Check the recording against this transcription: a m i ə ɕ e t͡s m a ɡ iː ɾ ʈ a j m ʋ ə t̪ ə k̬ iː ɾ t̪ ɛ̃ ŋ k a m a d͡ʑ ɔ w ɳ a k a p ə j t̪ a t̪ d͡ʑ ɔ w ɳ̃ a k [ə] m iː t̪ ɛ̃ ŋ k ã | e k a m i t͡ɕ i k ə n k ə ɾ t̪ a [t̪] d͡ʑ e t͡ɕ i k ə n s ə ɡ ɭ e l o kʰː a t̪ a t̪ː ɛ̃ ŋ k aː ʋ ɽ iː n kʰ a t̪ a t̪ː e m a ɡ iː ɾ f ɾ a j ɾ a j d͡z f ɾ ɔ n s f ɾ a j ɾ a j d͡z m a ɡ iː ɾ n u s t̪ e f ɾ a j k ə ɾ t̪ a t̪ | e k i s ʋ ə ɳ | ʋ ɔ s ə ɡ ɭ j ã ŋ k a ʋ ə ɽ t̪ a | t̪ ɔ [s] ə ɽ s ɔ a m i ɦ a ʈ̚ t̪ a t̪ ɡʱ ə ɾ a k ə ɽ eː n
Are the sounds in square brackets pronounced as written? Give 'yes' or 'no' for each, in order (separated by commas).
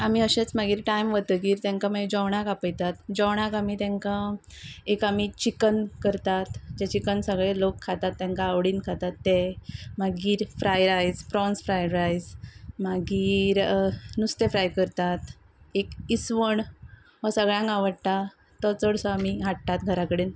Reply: no, yes, no